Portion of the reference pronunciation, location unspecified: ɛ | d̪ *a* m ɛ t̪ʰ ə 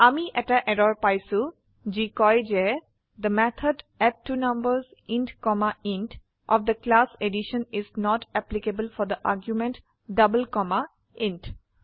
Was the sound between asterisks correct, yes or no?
no